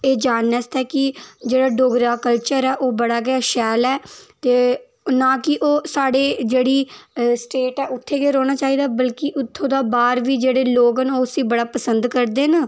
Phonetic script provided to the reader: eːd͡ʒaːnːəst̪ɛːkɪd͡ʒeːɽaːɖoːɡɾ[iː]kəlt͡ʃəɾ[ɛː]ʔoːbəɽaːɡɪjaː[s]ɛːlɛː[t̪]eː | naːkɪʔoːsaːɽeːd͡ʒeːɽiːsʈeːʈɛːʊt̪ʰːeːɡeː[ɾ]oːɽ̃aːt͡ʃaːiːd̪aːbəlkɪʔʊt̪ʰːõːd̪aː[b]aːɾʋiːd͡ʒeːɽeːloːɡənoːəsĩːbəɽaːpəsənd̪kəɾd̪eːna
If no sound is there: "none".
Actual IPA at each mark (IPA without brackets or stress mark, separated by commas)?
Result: aː, ɛː, ʃ, t̪, ɾ, b